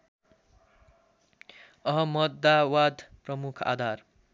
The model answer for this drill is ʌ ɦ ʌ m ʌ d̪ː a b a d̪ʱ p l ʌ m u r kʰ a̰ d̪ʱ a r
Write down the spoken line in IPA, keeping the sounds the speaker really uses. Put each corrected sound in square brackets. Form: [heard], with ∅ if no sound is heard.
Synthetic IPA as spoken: ʌ ɦ ʌ m ʌ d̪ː a [w] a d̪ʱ p [r] ʌ m u [∅] kʰ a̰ d̪ʱ a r

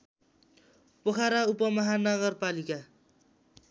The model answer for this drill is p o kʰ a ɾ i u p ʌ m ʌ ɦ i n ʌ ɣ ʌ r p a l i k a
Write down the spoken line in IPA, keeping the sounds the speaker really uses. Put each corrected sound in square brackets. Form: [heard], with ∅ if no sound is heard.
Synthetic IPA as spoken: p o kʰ a ɾ [a] u p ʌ m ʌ ɦ [a] n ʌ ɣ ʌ r p a l i k a

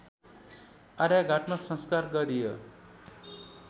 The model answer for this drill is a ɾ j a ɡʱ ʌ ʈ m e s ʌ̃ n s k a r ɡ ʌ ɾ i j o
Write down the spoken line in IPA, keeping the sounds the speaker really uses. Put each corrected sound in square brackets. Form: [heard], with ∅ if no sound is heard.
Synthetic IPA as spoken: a ɾ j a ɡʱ [a] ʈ m [a] s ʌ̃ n s k a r ɡ ʌ ɾ i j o

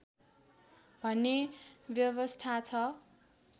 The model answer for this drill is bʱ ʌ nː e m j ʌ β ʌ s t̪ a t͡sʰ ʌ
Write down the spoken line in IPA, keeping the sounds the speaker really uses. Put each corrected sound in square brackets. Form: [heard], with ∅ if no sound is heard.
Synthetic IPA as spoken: bʱ ʌ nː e [b] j ʌ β ʌ s [t̪ʰ] a t͡sʰ ʌ

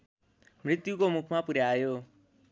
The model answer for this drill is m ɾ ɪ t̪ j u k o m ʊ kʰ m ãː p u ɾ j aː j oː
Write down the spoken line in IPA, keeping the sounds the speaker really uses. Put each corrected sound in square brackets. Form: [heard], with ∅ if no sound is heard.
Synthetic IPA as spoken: m ɾ ɪ t̪ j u k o m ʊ kʰ m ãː p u ɾ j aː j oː

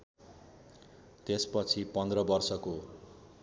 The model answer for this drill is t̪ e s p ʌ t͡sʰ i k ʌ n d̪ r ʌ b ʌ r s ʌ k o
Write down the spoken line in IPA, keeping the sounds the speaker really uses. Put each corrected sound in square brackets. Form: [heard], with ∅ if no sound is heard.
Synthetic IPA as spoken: t̪ e s p ʌ t͡sʰ i [p] ʌ n d̪ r ʌ b ʌ r s ʌ k o

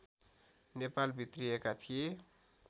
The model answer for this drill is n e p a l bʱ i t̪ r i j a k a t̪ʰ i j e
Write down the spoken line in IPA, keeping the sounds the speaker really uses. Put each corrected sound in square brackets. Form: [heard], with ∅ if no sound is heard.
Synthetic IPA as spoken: n e p a l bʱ i t̪ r i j [e] k a t̪ʰ i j e

